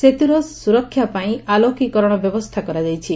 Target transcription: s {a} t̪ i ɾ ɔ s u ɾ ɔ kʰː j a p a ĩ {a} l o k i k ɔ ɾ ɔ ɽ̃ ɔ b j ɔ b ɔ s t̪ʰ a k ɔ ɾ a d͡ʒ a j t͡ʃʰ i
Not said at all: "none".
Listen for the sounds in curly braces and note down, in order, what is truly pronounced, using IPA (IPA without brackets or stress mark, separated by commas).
e, a